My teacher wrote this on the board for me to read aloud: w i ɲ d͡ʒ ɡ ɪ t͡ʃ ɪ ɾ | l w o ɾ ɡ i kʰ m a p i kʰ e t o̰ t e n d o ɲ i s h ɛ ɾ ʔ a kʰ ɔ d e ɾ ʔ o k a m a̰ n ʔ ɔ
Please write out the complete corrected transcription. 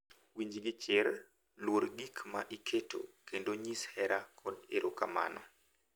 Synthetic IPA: w i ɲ d͡ʒ ɡ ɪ t͡ʃ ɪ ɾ | l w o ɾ ɡ i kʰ m a ʔ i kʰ e t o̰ k e n d o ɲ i s h ɛ ɾ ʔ a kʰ ɔ d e ɾ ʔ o k a m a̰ n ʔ ɔ